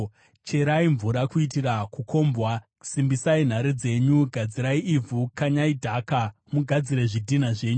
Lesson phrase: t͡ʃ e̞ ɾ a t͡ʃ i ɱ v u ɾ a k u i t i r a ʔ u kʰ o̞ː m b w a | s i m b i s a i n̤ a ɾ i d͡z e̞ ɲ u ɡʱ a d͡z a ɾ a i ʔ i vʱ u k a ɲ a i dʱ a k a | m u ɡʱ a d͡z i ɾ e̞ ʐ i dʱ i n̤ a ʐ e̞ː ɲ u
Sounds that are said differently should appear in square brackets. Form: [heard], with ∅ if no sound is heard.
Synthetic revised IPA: t͡ʃ e̞ ɾ a [∅] i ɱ v u ɾ a k u i t i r a [k] u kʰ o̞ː m b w a | s i m b i s a i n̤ a ɾ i d͡z e̞ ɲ u ɡʱ a d͡z [i] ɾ a i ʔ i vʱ u k a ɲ a i dʱ a k a | m u ɡʱ a d͡z i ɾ e̞ ʐ i dʱ i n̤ a ʐ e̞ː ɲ u